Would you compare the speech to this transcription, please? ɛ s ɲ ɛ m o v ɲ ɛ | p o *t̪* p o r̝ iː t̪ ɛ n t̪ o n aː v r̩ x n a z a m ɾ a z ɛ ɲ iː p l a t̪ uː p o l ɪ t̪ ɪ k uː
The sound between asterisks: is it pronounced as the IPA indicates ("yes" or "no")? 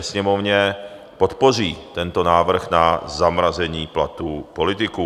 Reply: yes